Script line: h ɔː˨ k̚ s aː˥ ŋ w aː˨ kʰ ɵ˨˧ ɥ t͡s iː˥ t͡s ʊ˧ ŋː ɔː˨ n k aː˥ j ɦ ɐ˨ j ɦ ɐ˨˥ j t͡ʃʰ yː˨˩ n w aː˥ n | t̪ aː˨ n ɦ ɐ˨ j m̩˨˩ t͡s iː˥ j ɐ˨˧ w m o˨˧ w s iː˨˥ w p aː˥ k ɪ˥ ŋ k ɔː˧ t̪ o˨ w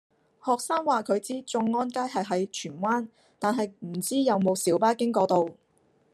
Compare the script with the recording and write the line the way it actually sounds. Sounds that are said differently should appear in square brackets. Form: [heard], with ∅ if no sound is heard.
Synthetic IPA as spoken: h ɔː˨ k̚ s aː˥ ŋ w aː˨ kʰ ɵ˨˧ ɥ t͡s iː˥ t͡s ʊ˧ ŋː [ɔː˥] n k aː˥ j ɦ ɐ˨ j ɦ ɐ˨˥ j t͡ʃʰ yː˨˩ n w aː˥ n | t̪ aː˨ n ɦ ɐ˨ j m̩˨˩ t͡s iː˥ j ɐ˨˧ w m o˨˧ w s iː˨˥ w p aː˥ k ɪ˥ ŋ k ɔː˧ t̪ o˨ w